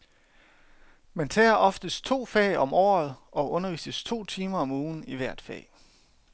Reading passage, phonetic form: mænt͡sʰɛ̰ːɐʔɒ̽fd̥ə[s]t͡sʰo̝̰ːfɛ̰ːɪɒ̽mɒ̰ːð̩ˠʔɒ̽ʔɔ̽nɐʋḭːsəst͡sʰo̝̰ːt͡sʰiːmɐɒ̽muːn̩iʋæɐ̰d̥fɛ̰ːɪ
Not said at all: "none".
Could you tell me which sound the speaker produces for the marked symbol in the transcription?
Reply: s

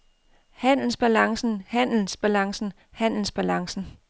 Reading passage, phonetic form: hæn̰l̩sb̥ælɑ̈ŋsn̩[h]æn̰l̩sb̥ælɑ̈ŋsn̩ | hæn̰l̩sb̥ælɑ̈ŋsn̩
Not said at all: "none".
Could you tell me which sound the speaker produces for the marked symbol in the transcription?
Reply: h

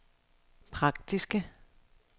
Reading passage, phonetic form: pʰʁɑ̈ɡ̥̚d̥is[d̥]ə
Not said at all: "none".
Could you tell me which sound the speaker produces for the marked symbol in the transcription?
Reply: ɡ̥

